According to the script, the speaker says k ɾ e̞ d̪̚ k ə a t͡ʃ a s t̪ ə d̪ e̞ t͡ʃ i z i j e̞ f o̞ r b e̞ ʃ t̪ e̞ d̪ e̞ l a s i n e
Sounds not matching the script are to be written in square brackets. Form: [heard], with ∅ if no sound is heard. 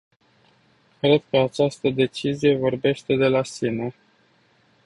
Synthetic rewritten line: k ɾ e̞ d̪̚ k ə a t͡ʃ a s t̪ ə d̪ e̞ t͡ʃ i z i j e̞ [v] o̞ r b e̞ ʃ t̪ e̞ d̪ e̞ l a s i n e

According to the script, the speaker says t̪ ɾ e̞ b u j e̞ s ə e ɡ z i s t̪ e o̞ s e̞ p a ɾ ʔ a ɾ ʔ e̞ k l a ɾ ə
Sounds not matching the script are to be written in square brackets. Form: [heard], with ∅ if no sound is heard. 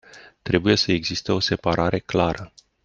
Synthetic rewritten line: t̪ ɾ e̞ b u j e̞ s ə e ɡ z i s t̪ e o̞ s e̞ p a ɾ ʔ a ɾ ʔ e̞ k l a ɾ ə

